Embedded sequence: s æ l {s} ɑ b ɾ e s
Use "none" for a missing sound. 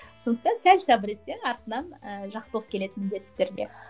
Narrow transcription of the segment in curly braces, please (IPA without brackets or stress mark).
s